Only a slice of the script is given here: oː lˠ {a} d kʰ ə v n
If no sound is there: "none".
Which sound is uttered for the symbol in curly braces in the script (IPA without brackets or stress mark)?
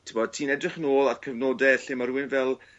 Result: a